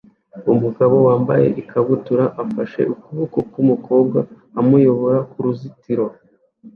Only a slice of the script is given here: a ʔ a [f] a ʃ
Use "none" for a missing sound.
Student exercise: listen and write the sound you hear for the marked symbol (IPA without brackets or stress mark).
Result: f